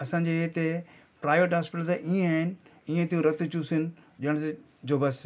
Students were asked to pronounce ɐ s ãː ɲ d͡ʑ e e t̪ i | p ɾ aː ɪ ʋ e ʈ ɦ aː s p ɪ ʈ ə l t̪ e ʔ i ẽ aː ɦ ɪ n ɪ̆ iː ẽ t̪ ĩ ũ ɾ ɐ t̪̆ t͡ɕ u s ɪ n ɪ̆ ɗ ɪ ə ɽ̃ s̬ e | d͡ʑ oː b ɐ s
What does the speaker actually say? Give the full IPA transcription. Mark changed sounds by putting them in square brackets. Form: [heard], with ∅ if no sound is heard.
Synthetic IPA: ɐ s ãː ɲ d͡ʑ e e t̪ [e] | p ɾ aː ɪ ʋ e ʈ ɦ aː s p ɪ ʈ ə l t̪ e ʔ i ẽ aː ɦ ɪ n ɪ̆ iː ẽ t̪ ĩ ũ ɾ ɐ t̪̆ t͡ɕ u s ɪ n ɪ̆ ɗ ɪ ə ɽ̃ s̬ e | d͡ʑ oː b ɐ s